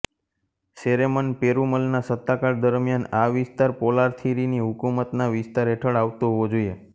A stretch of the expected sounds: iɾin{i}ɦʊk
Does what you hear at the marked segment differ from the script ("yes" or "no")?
no